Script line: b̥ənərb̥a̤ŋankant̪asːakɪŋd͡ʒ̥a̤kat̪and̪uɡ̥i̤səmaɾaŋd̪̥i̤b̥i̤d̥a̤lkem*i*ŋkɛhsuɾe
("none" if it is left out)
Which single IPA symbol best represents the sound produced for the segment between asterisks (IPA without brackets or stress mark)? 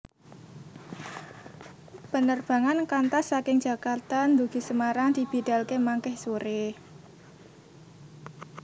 a